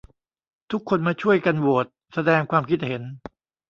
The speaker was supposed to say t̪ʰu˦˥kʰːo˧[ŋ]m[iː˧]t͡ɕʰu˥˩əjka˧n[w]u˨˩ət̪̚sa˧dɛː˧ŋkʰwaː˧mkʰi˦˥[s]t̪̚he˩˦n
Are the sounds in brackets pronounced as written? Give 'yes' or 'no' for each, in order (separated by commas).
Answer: no, no, yes, no